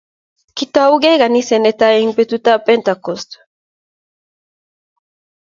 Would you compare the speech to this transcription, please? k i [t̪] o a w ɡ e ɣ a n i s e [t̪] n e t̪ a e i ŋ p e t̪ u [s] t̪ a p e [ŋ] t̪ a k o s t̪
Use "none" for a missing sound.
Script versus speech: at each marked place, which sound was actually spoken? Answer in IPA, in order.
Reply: t̪, none, none, n

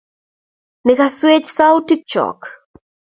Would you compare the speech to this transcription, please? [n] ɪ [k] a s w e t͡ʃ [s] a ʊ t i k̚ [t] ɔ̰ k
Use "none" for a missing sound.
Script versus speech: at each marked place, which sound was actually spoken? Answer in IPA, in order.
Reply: n, k, s, t͡ʃ

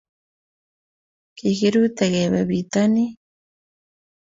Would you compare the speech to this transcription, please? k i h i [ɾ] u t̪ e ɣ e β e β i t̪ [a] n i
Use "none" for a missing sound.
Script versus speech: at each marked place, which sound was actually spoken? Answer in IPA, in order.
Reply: ɾ, a

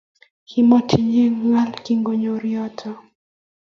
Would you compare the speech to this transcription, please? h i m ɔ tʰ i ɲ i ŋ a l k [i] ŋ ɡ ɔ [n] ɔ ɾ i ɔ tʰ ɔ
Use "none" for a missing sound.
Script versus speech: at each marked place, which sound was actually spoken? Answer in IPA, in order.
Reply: i, ɲ

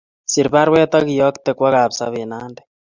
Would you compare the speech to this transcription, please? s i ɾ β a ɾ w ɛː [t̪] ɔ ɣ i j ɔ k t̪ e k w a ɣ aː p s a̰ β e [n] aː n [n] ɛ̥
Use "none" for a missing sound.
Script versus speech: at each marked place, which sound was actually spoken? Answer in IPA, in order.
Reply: t̪, n, d

